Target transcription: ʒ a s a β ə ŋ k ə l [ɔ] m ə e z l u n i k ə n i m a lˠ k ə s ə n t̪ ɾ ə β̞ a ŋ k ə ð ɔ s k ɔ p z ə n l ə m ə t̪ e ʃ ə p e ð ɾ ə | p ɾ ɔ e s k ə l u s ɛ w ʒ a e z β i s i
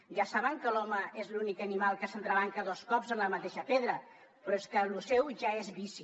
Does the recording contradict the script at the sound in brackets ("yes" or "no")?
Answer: no